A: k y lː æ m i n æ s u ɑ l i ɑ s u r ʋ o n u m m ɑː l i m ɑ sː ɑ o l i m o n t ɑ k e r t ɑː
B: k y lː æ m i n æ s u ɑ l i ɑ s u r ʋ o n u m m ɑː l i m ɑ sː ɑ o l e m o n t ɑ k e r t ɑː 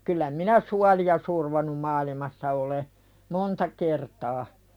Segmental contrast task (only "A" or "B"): B